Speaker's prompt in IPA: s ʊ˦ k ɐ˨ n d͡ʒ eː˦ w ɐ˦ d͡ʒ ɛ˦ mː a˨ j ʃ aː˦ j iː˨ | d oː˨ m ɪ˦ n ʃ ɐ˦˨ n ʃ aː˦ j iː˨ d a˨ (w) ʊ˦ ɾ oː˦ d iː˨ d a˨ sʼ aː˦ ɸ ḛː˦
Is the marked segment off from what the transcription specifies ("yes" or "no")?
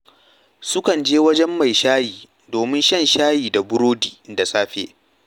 yes